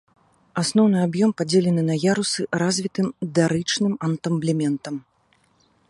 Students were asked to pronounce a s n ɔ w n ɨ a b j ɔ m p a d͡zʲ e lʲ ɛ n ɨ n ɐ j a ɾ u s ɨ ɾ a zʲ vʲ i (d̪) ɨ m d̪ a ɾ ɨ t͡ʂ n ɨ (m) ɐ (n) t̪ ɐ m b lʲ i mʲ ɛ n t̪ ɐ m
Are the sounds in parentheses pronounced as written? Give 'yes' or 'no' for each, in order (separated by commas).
no, yes, yes